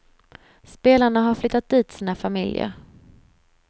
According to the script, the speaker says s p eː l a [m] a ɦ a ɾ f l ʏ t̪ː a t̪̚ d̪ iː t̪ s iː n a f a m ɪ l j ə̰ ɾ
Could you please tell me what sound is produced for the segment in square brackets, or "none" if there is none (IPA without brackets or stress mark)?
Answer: ɳ